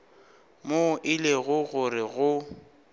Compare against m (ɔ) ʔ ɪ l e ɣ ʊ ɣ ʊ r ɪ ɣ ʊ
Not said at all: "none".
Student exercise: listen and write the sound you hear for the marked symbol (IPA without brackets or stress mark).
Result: o